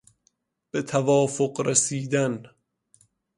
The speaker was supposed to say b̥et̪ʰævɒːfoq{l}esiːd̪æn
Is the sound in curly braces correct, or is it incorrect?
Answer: incorrect